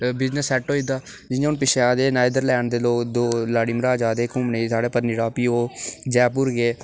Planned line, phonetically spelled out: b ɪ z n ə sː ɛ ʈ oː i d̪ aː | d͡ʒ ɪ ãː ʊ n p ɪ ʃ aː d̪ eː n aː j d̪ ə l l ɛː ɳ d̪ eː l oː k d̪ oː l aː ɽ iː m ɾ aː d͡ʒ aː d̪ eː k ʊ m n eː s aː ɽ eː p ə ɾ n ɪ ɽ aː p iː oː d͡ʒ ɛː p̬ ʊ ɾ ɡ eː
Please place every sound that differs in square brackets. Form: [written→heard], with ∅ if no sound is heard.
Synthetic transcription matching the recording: b ɪ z n ə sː ɛ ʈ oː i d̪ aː | d͡ʒ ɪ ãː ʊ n p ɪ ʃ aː d̪ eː n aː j d̪ ə [l→ɾ] l ɛː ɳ d̪ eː l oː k d̪ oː l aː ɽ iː m ɾ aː d͡ʒ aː d̪ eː k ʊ m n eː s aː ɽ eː p ə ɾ n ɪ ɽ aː p iː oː d͡ʒ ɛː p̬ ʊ ɾ ɡ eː